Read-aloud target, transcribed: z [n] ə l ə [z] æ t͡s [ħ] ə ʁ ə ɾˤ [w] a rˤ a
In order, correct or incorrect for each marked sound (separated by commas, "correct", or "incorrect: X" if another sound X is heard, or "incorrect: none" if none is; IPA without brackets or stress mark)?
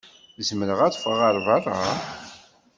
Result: incorrect: m, incorrect: ʁ, incorrect: f, incorrect: v